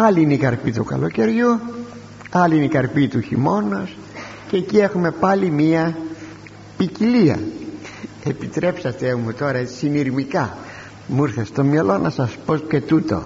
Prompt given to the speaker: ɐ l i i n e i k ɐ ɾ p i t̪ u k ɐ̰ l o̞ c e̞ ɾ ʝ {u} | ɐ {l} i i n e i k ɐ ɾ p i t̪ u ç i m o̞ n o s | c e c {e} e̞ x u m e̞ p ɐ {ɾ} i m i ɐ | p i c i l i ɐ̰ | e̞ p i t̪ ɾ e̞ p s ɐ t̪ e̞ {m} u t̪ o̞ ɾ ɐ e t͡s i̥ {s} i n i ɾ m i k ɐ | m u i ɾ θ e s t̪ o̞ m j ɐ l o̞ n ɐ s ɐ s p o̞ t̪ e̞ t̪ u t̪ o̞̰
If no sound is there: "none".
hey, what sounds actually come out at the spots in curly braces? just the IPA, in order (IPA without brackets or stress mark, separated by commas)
u, l, i, l, m, s